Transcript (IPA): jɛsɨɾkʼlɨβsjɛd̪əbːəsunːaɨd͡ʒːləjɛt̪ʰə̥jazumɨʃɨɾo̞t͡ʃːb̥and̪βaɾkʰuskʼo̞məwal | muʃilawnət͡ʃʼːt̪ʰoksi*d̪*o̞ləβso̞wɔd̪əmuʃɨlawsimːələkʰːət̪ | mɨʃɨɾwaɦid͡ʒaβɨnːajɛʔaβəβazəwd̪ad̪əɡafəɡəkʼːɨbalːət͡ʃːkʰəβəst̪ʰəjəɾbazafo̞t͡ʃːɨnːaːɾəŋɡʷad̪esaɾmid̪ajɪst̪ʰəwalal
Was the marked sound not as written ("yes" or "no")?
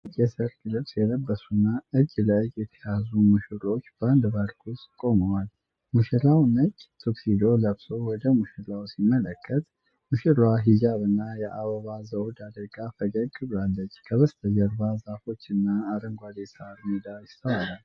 no